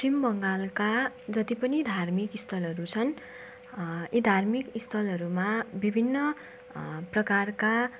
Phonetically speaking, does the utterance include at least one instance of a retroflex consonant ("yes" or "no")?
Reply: no